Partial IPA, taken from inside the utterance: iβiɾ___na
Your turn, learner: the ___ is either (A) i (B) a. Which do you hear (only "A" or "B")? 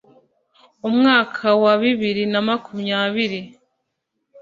A